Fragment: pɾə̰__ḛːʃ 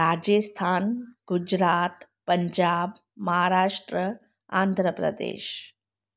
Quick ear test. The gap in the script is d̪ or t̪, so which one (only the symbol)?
d̪